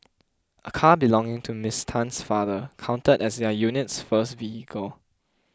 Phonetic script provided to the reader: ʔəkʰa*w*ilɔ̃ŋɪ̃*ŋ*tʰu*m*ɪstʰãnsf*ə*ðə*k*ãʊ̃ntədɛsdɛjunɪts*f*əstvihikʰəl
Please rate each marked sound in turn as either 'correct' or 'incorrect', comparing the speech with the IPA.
incorrect, correct, correct, incorrect, incorrect, correct

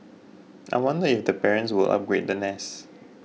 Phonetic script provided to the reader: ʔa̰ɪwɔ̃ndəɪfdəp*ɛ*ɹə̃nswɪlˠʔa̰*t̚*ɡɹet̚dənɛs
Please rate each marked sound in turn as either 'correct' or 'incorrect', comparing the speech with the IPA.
correct, incorrect

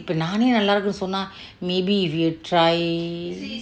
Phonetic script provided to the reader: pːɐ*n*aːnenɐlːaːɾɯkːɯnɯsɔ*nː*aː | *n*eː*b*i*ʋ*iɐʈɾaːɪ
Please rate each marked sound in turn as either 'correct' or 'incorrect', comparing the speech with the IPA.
correct, correct, incorrect, correct, correct

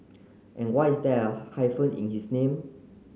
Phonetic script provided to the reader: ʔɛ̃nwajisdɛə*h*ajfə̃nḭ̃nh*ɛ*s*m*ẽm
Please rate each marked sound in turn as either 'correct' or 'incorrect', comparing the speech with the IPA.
correct, incorrect, incorrect

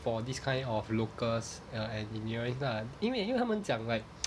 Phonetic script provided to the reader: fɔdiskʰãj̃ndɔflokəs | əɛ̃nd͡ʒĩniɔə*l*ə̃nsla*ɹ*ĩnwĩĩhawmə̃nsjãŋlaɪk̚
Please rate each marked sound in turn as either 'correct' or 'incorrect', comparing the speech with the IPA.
incorrect, incorrect

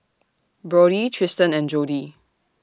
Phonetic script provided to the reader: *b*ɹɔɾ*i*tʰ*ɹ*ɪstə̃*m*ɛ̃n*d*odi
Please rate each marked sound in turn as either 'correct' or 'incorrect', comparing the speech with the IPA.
correct, correct, correct, incorrect, incorrect

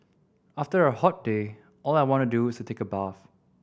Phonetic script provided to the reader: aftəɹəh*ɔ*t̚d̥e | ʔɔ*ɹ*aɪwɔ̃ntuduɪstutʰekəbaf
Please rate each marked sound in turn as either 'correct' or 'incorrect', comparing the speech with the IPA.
correct, incorrect

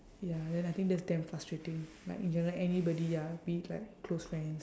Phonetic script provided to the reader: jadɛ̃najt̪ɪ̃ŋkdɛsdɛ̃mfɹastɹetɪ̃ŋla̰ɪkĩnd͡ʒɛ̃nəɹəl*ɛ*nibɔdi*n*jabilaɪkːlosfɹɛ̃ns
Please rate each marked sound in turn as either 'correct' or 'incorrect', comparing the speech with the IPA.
correct, incorrect

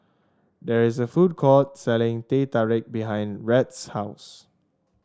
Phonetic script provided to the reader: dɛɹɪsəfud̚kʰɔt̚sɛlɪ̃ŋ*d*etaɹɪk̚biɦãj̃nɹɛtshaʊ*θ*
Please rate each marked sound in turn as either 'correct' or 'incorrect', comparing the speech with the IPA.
incorrect, incorrect

